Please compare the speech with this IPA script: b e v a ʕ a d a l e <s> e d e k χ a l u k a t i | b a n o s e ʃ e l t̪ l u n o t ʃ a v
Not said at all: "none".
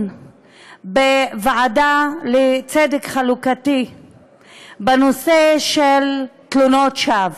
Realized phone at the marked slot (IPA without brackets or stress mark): t͡s